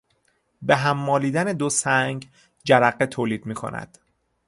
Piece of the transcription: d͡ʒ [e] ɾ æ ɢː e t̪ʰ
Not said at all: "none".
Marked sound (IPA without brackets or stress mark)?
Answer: æ